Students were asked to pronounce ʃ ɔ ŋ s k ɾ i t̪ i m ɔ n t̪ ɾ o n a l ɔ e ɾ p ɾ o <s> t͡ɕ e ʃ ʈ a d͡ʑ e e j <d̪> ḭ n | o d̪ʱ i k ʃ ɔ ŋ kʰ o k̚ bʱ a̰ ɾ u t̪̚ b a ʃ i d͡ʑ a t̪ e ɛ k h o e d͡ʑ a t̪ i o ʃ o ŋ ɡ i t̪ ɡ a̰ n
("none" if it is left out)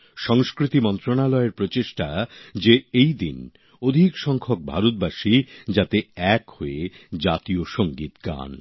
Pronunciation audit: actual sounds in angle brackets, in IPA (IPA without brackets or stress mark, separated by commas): none, d̪